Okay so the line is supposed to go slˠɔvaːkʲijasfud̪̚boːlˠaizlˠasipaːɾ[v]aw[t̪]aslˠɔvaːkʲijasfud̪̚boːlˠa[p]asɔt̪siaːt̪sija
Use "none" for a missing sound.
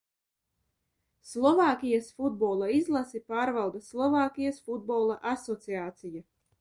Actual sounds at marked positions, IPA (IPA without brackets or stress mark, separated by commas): v, d̪, ʔ